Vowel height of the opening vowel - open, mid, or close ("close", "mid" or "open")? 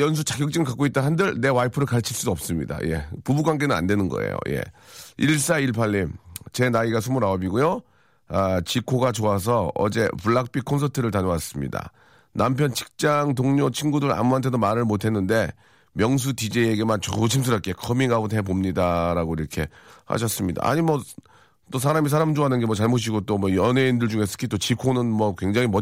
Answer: mid